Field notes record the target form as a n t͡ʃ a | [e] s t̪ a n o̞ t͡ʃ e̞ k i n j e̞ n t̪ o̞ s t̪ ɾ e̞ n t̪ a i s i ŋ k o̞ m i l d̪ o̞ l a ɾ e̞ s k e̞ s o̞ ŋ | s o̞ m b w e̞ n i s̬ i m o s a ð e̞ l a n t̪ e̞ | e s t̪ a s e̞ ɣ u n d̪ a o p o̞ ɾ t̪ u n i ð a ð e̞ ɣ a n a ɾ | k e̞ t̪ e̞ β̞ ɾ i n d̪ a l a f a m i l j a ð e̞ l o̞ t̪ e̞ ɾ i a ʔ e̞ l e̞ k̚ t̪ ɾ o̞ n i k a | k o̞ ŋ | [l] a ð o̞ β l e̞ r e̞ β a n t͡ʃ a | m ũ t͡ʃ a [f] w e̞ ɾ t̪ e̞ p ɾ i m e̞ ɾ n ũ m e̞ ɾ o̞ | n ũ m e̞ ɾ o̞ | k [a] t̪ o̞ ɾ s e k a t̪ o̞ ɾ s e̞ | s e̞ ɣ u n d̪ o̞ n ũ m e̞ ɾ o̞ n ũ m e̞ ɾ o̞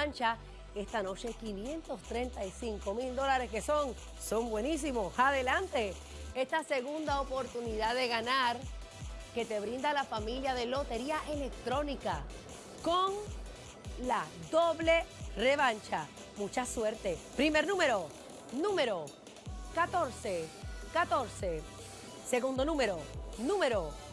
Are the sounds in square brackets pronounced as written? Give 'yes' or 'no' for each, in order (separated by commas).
yes, yes, no, yes